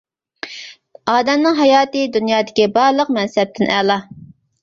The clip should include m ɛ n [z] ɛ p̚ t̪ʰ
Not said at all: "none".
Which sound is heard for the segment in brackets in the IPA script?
s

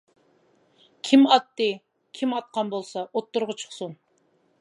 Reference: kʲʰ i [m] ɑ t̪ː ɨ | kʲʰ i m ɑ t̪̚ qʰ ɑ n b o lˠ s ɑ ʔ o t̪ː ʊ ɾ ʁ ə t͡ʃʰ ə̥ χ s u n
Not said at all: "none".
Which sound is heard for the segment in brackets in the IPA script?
m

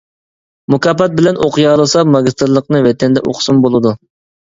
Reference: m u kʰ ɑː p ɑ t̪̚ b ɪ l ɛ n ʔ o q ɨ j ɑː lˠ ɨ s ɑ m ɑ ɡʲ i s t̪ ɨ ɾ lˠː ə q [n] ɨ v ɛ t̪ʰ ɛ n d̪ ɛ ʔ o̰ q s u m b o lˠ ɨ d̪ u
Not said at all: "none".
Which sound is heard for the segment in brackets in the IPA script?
n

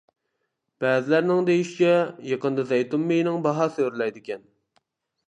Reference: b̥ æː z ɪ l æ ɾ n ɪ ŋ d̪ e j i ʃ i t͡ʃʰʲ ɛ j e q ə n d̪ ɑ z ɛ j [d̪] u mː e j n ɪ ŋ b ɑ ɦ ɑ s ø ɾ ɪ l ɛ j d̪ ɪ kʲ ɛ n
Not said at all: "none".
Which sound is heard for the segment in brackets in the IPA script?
t̪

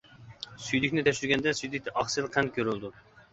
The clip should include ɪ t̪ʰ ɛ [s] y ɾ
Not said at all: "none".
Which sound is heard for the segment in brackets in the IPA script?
ʃ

